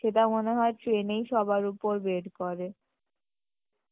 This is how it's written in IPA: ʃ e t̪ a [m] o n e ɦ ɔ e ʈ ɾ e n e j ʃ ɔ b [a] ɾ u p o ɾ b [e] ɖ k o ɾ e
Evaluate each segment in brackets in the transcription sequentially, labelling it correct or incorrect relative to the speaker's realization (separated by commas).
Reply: correct, correct, correct